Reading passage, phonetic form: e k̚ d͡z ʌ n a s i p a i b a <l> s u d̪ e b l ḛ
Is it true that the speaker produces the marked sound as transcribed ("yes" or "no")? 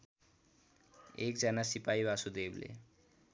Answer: no